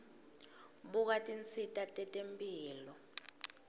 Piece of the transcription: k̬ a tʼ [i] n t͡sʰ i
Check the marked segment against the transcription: correct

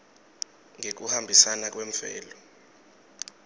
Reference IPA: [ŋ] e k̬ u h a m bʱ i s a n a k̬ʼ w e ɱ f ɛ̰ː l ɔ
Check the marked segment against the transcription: correct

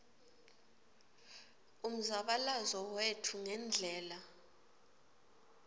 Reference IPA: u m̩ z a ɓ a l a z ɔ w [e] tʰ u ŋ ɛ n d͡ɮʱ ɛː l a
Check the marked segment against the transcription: correct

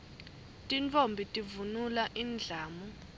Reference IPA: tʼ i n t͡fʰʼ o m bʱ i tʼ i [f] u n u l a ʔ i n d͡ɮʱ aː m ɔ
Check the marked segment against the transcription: incorrect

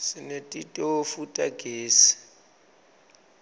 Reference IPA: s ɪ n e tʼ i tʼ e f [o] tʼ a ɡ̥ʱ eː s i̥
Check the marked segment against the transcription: incorrect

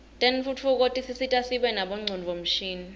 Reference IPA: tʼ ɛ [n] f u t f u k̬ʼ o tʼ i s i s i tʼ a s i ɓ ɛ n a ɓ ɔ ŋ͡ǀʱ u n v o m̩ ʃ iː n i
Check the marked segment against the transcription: correct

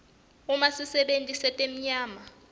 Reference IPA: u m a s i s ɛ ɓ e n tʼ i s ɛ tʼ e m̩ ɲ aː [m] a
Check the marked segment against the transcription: correct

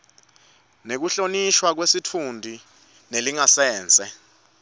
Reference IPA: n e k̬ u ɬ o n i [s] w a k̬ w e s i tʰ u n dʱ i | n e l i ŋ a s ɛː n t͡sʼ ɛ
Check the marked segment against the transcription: incorrect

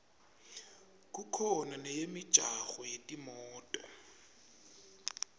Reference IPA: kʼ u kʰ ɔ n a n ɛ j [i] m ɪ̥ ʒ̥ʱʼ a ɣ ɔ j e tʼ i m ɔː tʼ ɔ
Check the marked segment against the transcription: incorrect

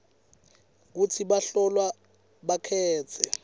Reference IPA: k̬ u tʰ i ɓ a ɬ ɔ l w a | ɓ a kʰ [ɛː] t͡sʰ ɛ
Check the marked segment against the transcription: correct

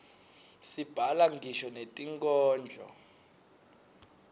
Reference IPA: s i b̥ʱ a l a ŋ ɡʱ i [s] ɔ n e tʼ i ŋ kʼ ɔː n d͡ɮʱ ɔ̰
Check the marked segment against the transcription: incorrect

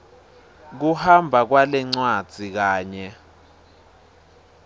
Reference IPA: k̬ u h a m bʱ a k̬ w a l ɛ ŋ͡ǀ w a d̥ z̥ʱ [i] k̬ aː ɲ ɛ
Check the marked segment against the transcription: correct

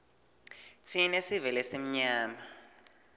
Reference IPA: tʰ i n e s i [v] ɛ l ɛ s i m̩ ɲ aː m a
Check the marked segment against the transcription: correct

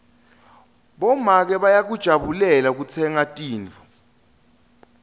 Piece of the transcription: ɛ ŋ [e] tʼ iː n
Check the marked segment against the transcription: incorrect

